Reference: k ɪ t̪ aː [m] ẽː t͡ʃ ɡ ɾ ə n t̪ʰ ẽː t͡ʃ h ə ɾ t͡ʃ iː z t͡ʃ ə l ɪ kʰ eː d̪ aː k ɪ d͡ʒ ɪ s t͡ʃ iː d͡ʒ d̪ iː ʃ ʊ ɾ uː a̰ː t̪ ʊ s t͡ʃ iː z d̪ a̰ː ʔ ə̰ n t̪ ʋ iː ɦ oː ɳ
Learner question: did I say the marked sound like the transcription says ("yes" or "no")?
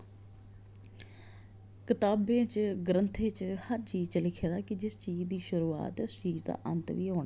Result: no